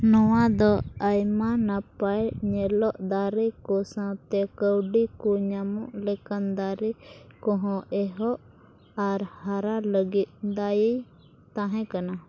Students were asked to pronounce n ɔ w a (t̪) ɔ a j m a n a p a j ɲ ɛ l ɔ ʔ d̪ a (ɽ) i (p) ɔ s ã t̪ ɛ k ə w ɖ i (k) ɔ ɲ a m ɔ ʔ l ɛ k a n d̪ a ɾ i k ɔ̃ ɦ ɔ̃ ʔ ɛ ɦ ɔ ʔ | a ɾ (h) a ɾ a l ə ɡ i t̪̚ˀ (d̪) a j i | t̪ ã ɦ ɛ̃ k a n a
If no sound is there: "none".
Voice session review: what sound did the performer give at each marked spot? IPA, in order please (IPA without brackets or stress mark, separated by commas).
d̪, ɾ, k, k, h, d̪